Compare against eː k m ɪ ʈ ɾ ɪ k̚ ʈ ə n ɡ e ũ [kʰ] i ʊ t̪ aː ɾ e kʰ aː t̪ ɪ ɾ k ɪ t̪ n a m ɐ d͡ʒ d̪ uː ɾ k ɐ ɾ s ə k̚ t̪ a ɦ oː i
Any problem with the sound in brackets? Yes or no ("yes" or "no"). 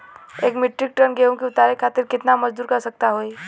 yes